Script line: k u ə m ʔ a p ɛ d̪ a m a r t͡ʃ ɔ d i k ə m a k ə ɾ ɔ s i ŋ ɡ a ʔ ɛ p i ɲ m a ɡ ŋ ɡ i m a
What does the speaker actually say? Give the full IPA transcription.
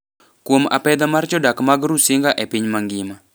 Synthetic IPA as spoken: k u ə m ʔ a p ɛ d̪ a m a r t͡ʃ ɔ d a k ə m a ɡ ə ɾ u s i ŋ ɡ a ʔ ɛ p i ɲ m a ŋ ɡ i m a